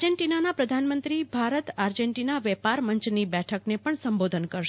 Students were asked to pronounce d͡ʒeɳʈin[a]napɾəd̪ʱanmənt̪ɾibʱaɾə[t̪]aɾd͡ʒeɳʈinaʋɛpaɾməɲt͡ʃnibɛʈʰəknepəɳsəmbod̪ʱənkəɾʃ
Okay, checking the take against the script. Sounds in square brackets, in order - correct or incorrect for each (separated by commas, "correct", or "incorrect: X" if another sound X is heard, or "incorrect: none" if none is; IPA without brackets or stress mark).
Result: correct, correct